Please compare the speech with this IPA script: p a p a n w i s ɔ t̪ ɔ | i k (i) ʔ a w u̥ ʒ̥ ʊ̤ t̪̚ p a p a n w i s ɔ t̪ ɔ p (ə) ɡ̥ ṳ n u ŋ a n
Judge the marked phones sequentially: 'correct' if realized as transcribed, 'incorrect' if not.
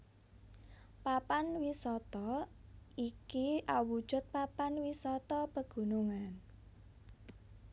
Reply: correct, correct

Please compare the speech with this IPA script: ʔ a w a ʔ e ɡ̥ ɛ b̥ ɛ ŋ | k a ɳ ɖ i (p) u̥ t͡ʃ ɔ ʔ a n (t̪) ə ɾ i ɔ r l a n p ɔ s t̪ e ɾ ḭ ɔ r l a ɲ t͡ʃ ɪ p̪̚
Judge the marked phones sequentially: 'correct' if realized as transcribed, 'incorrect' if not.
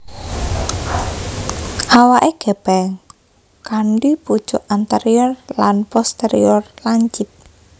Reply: correct, correct

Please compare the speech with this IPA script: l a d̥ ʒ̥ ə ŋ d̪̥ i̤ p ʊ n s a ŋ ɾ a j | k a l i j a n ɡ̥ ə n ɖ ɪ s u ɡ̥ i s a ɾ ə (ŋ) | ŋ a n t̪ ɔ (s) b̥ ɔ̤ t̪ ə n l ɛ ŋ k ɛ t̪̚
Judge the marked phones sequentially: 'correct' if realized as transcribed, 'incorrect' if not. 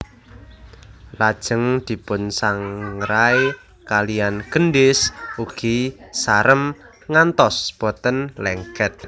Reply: incorrect: m, correct

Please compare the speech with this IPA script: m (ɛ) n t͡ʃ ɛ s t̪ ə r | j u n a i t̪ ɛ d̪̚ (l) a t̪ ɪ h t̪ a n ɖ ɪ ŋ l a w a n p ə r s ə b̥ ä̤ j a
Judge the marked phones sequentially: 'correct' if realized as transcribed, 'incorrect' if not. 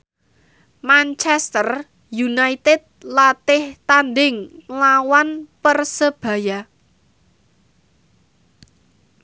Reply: incorrect: a, correct

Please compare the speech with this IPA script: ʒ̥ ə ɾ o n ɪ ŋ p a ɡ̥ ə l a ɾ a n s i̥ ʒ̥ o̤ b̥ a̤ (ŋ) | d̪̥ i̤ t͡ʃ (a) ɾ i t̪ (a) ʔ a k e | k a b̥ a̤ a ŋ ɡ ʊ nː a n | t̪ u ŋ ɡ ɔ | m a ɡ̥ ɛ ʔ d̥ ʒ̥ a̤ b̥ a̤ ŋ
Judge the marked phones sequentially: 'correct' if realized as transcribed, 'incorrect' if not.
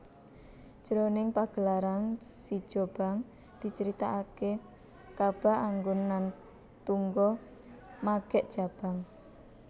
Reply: correct, incorrect: ə, correct

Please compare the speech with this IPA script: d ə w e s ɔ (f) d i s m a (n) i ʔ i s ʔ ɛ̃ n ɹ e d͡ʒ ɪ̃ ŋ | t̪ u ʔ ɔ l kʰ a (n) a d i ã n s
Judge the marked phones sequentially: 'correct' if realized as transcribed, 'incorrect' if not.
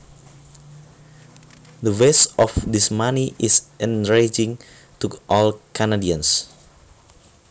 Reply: correct, correct, correct

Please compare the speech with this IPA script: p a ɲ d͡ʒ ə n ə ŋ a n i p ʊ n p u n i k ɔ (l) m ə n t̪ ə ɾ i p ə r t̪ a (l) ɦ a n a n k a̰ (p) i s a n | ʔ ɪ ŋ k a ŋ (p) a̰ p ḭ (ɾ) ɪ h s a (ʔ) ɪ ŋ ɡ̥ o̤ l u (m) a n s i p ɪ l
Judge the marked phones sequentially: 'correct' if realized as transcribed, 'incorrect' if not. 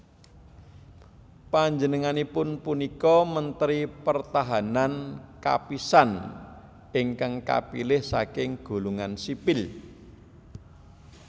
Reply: incorrect: none, incorrect: none, correct, incorrect: k, incorrect: l, incorrect: k, incorrect: ŋ

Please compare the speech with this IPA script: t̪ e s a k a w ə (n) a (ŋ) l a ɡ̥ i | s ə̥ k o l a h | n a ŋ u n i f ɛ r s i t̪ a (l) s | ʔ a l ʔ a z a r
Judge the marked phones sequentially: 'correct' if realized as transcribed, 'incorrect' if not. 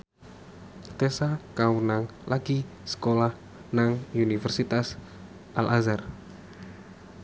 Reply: correct, correct, incorrect: none

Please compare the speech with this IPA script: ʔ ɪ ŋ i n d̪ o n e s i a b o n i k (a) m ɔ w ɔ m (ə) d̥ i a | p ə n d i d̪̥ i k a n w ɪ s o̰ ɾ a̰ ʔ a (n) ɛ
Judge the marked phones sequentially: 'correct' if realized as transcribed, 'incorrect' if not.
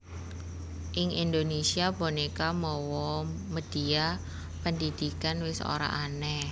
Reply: correct, correct, correct

